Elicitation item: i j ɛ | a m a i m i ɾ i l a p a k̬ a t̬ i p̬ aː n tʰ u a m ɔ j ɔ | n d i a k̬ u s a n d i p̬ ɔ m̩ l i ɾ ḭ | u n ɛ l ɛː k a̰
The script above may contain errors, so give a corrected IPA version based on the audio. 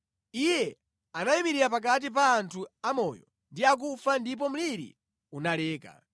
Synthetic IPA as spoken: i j ɛ | a n a i m i ɾ i ɾ a p a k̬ a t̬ i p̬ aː n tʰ u a m ɔ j ɔ | n d i a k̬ u f a n d i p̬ ɔ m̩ l i ɾ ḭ | u n a l ɛː k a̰